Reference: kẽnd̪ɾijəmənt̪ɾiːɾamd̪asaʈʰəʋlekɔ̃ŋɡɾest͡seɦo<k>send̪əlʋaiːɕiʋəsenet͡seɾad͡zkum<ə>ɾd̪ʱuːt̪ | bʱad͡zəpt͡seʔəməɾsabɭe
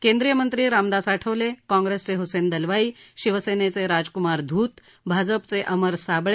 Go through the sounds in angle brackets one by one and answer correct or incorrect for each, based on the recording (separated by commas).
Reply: incorrect, incorrect